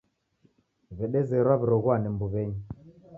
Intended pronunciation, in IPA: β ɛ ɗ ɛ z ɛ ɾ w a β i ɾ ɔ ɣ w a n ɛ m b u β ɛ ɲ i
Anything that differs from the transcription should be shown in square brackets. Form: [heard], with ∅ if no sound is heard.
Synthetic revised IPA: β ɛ ɗ ɛ z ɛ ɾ w a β i ɾ ɔ ɣ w a n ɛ m b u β ɛ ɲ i